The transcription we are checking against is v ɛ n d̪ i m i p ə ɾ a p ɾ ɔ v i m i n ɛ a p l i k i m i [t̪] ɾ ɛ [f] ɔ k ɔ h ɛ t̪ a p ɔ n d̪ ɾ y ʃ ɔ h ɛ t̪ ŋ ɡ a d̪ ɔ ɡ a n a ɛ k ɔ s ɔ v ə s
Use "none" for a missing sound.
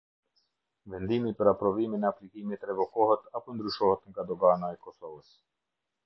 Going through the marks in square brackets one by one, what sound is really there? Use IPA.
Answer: t̪, v

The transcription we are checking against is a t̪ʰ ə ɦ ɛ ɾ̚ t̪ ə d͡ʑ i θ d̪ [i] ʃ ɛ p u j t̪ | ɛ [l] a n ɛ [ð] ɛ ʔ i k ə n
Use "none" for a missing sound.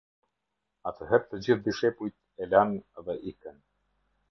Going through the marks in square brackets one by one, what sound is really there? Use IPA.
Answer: i, l, ð

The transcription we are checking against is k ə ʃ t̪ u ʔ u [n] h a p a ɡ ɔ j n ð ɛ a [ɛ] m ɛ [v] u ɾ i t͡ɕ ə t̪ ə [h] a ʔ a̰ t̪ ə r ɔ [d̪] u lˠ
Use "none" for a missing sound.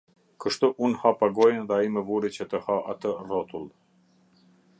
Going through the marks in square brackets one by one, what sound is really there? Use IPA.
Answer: n, i, v, h, t̪

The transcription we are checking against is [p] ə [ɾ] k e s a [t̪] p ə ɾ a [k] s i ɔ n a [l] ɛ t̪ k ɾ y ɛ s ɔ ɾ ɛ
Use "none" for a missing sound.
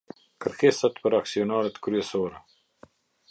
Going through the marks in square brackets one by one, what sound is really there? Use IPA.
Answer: k, ɾ, t̪, k, ɾ

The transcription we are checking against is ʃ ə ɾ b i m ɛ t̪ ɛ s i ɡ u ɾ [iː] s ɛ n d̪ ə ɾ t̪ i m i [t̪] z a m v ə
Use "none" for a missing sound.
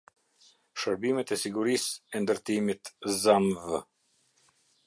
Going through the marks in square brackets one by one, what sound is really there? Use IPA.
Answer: i, t̪

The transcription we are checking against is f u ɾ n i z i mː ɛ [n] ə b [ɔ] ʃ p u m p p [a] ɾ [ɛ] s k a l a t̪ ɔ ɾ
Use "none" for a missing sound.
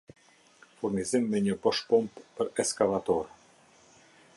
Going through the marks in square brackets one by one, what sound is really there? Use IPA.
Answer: ɲ, ɔ, ə, ɛ

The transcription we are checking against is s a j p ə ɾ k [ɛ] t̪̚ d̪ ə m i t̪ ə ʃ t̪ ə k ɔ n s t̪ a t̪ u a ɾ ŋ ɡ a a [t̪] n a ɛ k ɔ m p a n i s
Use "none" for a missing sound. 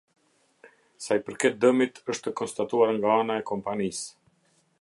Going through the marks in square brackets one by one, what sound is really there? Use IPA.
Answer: ɛ, none

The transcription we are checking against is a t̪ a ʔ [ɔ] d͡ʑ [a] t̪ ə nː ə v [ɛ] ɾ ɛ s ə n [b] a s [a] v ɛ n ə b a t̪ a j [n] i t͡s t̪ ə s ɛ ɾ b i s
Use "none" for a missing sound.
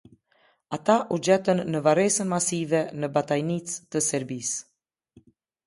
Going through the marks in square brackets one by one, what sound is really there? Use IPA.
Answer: u, ɛ, a, m, i, n

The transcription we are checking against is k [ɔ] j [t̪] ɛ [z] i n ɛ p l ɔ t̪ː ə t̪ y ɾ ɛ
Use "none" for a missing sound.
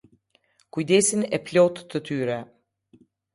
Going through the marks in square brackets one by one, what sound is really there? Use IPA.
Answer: u, d̪, s

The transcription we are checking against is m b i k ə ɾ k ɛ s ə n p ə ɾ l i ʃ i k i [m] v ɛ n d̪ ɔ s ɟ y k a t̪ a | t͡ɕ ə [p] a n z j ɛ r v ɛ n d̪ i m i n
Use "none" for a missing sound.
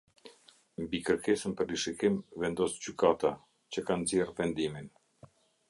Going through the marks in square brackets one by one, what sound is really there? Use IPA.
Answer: m, k

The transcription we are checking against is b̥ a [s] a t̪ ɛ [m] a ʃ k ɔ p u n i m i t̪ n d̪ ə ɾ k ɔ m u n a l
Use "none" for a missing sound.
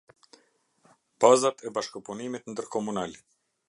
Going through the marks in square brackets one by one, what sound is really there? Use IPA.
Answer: z, b

